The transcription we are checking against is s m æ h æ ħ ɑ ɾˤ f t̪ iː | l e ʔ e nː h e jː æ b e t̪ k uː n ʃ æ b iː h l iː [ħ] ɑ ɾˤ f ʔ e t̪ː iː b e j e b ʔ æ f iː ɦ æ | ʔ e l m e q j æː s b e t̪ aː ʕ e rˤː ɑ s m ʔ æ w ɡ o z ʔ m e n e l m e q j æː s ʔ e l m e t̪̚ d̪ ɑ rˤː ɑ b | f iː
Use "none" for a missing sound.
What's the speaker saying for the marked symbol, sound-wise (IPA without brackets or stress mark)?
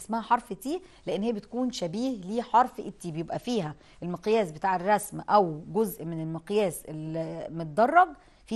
ħ